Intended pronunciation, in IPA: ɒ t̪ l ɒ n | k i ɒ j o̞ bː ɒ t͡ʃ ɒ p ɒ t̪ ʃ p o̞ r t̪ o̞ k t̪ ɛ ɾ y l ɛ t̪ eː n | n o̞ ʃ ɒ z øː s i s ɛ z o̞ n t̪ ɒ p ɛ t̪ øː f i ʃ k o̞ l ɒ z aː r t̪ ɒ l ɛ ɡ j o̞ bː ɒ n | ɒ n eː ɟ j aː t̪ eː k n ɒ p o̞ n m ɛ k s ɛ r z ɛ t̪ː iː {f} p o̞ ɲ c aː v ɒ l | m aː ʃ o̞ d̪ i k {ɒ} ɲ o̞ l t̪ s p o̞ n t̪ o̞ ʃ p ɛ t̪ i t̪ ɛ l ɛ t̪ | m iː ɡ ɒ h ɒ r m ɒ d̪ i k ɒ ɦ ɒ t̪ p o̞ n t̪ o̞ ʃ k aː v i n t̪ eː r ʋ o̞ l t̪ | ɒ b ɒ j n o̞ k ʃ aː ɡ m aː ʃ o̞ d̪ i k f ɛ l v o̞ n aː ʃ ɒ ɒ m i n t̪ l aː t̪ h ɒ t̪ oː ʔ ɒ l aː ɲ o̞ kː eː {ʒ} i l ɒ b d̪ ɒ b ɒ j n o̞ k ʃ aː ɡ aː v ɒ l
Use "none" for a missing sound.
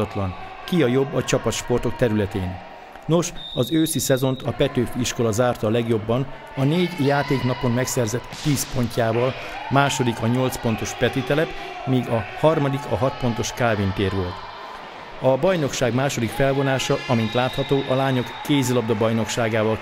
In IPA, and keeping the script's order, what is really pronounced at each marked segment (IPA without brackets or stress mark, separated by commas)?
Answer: s, ɒ, z